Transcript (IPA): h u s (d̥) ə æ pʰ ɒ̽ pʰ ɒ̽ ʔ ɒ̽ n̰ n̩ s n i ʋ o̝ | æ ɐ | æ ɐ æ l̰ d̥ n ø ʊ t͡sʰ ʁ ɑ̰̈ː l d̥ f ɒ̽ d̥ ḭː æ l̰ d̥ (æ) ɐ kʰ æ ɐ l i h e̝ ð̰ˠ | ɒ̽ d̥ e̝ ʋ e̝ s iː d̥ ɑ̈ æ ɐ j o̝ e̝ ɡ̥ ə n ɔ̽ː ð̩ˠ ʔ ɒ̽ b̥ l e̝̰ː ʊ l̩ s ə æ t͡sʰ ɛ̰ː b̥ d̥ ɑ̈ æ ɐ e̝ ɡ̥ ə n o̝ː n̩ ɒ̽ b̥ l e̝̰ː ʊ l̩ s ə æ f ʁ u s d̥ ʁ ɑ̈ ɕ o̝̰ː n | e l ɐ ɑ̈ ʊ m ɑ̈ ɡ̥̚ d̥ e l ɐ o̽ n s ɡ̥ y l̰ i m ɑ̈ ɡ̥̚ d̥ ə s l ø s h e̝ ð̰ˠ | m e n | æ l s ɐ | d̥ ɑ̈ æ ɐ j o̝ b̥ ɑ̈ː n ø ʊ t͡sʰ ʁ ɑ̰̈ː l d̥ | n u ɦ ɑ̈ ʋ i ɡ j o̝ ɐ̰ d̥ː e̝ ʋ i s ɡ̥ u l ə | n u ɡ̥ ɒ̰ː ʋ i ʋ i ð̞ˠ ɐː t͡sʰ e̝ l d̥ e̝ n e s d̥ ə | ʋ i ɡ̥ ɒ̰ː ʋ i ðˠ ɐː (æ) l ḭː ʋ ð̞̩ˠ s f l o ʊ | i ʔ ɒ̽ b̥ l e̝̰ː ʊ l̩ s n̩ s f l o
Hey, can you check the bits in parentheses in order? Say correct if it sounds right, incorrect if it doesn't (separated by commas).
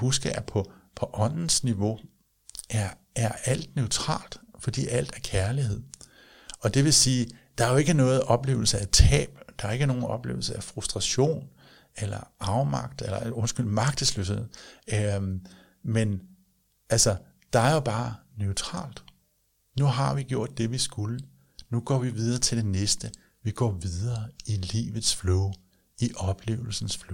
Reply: incorrect, correct, incorrect